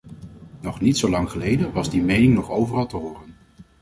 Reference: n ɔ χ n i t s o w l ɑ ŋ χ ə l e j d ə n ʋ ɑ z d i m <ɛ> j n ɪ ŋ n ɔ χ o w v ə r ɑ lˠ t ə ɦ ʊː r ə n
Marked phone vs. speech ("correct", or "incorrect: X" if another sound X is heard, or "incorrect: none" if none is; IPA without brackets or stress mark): incorrect: e